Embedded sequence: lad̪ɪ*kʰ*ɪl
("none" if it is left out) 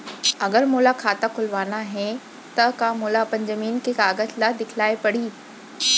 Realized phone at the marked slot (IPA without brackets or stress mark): kʰ